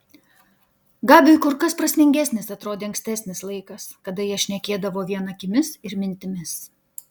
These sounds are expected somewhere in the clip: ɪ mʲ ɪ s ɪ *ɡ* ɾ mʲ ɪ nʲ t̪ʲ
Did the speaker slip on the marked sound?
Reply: yes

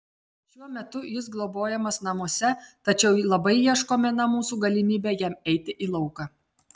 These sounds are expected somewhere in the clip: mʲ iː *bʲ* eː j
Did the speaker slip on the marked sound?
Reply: no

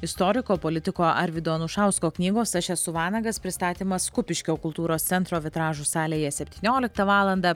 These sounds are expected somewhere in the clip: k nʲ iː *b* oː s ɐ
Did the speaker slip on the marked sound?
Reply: yes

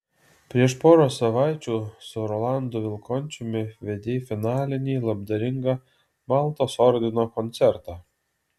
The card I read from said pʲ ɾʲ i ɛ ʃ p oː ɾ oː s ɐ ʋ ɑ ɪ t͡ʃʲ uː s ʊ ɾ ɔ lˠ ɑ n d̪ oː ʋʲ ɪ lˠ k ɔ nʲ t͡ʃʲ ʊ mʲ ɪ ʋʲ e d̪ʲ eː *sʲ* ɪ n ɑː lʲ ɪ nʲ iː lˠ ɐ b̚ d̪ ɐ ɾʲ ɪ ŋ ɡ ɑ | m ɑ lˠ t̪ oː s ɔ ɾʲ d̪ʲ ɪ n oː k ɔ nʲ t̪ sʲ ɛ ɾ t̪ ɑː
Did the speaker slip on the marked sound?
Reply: yes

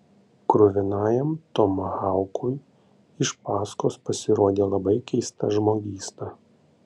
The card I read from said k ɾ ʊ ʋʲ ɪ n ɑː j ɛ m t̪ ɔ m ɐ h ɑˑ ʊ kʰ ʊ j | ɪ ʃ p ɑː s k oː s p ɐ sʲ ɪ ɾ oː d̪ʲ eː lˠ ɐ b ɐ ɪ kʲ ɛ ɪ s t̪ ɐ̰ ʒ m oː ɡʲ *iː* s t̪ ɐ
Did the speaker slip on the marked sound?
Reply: no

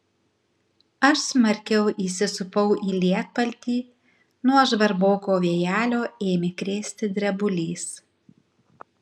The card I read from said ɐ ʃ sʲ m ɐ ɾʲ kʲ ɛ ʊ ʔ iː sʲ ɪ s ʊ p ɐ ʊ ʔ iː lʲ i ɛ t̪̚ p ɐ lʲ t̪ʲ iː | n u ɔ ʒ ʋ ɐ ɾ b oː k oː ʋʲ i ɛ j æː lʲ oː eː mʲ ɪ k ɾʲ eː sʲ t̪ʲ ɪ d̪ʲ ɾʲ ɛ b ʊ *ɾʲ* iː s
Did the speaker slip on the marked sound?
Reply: yes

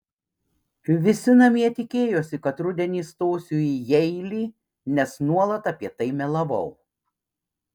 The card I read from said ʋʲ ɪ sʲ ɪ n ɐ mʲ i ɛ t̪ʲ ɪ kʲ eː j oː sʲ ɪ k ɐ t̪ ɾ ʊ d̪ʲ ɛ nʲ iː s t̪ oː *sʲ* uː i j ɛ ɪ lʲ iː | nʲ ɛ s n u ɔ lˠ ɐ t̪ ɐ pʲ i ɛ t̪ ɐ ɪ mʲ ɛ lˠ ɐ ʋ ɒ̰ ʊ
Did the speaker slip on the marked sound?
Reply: no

